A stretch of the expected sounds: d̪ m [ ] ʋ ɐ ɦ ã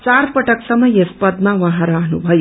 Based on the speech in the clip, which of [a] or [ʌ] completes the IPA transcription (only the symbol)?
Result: a